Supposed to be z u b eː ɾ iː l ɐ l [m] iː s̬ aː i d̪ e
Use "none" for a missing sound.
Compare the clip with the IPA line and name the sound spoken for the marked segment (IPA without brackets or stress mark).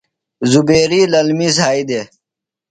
m